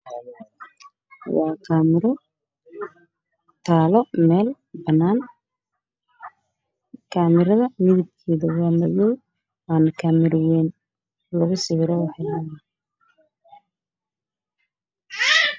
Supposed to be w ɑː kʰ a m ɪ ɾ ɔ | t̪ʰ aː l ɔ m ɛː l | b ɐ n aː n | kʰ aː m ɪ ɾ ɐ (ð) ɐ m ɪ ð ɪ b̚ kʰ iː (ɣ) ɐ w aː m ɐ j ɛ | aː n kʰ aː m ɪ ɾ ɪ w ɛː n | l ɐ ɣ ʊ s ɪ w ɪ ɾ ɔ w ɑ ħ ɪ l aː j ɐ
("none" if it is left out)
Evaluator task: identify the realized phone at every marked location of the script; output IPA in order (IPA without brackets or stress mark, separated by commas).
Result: ð, ð